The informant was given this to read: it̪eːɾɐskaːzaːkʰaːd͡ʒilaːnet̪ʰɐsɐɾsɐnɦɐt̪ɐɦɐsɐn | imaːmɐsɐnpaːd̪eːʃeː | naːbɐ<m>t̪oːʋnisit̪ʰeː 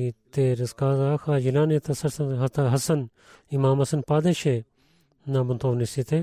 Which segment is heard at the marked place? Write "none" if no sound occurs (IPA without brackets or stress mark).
n